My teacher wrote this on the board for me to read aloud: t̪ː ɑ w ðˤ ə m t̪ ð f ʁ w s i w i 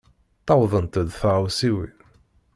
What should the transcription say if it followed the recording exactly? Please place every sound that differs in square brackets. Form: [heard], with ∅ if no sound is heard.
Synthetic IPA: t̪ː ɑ w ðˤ ə [n] t̪ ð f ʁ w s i w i